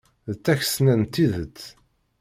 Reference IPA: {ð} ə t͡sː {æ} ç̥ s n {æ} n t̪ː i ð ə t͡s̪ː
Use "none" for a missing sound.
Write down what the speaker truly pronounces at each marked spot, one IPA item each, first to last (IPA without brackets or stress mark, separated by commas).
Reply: ð, æ, æ